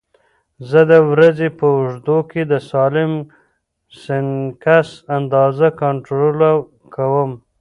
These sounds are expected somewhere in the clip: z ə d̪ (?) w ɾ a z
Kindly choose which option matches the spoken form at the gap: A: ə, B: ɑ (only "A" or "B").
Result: A